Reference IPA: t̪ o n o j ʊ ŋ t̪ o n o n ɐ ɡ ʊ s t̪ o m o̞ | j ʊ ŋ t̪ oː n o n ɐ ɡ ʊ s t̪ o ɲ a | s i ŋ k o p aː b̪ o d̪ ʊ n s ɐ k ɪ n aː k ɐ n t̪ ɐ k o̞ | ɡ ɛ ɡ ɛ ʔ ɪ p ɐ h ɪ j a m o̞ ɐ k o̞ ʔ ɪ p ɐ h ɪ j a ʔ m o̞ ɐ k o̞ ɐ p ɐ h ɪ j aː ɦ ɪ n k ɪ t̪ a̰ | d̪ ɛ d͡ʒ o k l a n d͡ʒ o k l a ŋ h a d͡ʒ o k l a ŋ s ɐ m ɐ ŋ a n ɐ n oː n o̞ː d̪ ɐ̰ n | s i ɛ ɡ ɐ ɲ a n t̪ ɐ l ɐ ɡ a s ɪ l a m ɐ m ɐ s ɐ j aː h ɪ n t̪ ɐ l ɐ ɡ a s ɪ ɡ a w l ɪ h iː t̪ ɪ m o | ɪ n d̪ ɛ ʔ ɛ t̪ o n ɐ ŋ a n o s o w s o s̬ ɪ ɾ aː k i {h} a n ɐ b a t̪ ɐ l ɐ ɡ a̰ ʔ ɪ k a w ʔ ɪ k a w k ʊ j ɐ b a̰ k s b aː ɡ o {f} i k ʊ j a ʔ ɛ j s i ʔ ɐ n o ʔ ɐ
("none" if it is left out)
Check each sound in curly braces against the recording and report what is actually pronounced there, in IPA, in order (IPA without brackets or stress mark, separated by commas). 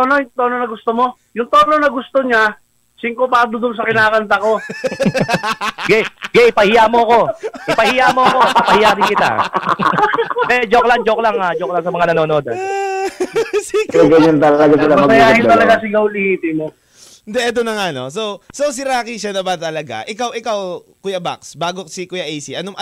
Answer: ʃ, s